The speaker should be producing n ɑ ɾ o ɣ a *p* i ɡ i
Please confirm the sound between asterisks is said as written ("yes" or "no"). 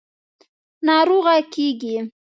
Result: no